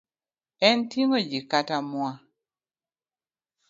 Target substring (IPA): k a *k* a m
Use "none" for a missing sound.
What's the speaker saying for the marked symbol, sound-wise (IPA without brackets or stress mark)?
t